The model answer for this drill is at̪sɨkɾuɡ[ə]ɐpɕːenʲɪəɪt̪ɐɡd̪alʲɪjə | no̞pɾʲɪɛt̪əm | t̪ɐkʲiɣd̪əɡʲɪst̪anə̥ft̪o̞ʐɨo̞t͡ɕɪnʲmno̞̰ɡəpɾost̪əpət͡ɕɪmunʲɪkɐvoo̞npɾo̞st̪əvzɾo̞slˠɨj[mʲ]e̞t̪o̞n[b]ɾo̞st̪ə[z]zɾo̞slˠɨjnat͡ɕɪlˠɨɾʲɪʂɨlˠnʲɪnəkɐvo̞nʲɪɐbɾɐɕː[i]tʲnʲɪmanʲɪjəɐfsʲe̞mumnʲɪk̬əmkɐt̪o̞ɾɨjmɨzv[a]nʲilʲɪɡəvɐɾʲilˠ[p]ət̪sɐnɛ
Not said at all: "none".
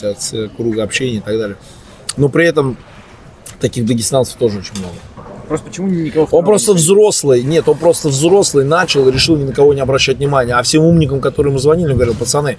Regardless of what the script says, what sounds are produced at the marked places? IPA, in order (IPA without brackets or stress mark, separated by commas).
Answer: ə, nʲ, p, v, æ, ɐ, p